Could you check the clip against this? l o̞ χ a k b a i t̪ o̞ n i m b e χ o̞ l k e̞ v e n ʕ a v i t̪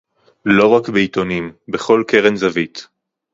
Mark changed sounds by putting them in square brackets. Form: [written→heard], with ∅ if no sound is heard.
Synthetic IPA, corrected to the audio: l o̞ [χ→ʁ] a k b [a→e] i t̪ o̞ n i m b e χ o̞ l k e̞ [v→ʁ] e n [ʕ→z] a v i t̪